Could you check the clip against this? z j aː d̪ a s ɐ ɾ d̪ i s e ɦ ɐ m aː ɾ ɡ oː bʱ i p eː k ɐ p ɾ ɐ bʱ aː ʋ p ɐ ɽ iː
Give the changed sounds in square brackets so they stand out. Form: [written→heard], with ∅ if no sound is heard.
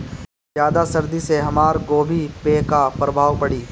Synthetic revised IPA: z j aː d̪ a s ɐ ɾ d̪ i s e ɦ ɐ m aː ɾ ɡ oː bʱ i p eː k [ɐ→a] p ɾ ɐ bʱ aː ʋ p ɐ ɽ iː